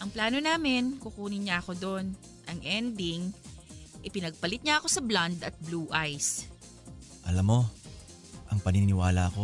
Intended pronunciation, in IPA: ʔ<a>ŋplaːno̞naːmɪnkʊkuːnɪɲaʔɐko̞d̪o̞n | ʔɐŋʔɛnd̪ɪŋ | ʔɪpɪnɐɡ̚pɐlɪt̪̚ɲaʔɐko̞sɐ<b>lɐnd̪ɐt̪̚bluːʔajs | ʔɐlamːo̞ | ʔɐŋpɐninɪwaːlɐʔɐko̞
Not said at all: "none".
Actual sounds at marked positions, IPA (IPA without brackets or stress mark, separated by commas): ɐ, b